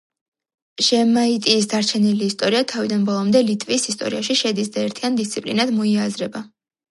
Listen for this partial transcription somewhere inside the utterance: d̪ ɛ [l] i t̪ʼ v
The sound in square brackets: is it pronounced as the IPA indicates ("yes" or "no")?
yes